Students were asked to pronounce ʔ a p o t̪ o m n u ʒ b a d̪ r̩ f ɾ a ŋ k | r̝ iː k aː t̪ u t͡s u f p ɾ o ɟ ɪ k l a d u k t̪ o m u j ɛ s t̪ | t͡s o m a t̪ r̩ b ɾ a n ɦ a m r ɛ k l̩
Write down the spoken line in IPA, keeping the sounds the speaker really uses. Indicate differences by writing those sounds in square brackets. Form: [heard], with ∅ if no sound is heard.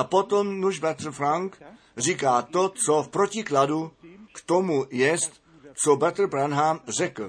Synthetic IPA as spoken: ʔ a p o t̪ o m n u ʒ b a [t̪] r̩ f ɾ a ŋ k | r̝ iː k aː t̪ [o] t͡s [o] f p ɾ o [c] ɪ k l a d u k t̪ o m u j ɛ s t̪ | t͡s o [b] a t̪ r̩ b ɾ a n ɦ a m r ɛ k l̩